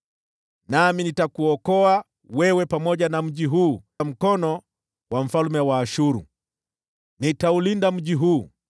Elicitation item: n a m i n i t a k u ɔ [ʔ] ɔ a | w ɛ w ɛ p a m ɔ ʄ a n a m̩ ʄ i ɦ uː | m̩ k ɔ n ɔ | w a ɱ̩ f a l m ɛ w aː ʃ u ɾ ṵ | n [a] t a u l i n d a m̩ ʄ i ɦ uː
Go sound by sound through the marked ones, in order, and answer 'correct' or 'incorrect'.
incorrect: k, incorrect: i

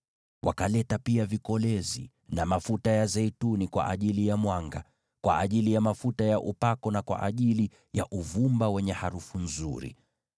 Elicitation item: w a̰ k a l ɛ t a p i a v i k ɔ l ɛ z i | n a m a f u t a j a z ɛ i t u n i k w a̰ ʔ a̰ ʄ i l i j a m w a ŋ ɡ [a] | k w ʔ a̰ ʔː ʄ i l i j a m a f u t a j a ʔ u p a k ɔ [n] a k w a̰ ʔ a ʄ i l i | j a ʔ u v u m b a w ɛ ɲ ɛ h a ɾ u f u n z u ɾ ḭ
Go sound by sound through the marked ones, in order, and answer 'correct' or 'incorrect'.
correct, correct

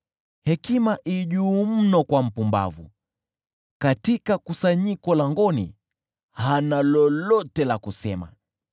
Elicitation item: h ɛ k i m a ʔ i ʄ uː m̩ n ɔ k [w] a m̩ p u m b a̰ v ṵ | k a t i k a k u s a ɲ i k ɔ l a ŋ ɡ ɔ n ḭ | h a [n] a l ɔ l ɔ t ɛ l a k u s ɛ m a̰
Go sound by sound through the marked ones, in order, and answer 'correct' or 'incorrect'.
correct, correct

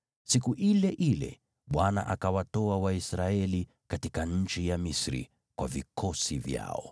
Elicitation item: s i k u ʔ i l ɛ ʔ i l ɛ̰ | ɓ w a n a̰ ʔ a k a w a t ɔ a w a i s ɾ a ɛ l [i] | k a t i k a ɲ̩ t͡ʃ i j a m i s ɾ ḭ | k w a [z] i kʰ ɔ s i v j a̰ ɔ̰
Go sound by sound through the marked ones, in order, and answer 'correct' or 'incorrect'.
correct, incorrect: v

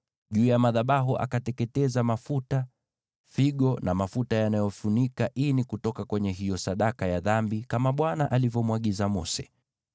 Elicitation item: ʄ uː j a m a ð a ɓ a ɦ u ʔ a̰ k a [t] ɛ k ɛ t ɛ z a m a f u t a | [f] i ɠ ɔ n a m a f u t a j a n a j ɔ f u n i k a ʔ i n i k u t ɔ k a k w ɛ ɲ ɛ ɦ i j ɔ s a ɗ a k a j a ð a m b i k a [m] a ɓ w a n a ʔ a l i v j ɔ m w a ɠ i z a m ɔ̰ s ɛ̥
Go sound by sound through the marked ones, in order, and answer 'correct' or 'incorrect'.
correct, correct, correct

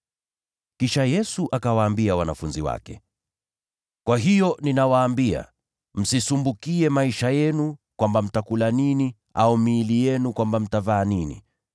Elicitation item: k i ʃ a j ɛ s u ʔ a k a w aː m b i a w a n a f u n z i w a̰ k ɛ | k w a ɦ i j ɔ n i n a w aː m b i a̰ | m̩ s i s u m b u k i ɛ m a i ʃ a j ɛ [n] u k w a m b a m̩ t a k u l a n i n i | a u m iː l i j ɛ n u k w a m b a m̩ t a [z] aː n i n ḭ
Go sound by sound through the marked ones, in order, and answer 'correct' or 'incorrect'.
correct, incorrect: v

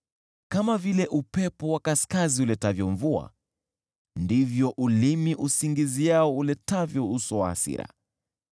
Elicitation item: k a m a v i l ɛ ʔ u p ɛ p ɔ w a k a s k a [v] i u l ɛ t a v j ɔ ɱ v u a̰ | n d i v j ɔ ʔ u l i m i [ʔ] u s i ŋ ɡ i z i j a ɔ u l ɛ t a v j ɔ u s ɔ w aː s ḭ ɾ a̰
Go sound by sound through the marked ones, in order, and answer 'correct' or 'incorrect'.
incorrect: z, correct

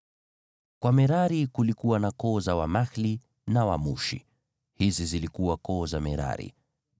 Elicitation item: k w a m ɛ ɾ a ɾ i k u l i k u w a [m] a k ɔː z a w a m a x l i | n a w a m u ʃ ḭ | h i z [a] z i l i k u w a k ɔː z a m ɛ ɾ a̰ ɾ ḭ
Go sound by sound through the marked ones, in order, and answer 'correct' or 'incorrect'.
incorrect: n, incorrect: i

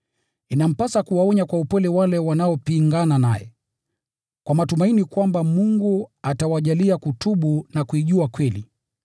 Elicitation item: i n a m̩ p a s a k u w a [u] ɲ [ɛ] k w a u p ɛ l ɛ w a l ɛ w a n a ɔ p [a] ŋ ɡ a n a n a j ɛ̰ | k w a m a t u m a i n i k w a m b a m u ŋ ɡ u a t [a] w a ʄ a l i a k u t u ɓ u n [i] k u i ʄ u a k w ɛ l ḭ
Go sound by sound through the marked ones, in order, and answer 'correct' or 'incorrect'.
incorrect: ɔ, incorrect: a, incorrect: i, correct, incorrect: a

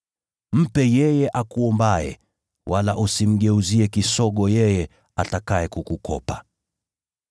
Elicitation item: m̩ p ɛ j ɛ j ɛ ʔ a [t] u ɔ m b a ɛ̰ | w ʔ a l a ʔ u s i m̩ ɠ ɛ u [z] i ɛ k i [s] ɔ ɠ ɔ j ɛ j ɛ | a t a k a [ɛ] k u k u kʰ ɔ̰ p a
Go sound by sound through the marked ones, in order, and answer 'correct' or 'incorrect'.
incorrect: k, correct, correct, correct

